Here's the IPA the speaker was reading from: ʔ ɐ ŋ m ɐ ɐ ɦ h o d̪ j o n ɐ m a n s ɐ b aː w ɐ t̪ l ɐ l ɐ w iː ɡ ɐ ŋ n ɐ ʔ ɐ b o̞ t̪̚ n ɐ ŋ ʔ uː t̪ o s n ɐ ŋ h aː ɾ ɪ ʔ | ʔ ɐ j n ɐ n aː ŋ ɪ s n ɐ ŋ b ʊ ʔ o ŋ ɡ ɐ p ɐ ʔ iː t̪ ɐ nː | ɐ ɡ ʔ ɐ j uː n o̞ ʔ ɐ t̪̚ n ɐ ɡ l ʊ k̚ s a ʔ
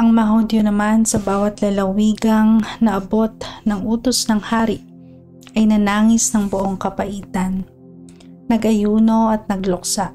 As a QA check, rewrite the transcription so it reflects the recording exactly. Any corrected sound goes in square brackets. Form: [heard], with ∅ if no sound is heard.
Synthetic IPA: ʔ ɐ ŋ m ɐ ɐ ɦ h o d̪ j o n ɐ m a n s ɐ b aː w ɐ t̪ l ɐ l ɐ w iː ɡ ɐ ŋ n ɐ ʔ ɐ b o̞ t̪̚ n ɐ ŋ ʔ uː t̪ o s n ɐ ŋ h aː ɾ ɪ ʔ | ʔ ɐ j n ɐ n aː ŋ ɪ s n ɐ ŋ b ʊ ʔ o ŋ [k] ɐ p ɐ ʔ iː t̪ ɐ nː | ɐ ɡ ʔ ɐ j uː n o̞ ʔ ɐ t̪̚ n ɐ ɡ l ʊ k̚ s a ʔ